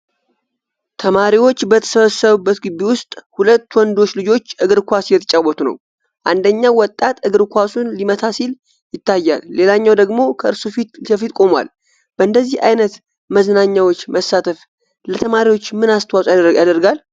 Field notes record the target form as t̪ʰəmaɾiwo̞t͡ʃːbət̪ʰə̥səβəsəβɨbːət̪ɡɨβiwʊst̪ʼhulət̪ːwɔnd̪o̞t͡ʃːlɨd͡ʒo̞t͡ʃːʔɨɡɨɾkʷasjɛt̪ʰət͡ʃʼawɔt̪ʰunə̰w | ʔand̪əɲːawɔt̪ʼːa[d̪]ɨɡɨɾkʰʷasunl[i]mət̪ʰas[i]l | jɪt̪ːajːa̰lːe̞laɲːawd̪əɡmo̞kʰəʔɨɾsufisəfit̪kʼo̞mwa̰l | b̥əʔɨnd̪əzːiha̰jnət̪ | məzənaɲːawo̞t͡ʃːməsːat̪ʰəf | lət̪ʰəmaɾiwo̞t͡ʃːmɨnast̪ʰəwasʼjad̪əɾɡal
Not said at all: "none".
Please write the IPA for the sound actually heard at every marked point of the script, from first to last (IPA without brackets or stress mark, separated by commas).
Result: t̪, i, i